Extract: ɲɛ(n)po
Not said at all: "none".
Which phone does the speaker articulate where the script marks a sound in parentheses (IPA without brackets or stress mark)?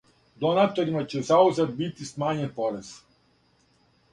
n